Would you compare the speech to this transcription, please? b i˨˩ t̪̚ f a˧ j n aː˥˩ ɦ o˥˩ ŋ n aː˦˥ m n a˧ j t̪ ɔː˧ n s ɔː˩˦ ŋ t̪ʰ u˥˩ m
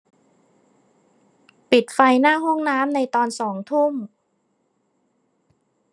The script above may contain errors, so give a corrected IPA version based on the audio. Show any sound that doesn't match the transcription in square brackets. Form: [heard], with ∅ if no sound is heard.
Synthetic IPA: [p] i˨˩ t̪̚ f a˧ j n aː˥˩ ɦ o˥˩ ŋ n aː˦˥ m n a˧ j t̪ ɔː˧ n s ɔː˩˦ ŋ t̪ʰ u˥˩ m